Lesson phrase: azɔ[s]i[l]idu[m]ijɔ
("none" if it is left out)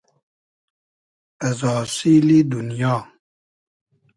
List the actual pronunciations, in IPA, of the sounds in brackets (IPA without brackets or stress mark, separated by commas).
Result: s, l, n